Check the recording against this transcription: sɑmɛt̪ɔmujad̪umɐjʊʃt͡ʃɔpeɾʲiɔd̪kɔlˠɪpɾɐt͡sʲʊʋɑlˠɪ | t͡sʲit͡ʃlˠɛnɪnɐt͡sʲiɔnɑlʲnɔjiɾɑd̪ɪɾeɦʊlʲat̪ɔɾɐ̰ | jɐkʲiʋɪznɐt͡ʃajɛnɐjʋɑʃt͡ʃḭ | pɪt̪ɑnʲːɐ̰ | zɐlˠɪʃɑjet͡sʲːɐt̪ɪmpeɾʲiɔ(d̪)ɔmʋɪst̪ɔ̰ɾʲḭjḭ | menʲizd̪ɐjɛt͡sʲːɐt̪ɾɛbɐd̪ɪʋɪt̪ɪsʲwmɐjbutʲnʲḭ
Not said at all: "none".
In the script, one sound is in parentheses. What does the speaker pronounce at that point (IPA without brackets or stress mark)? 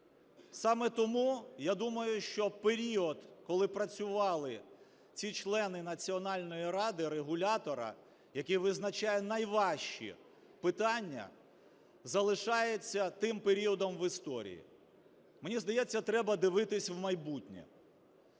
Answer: d̪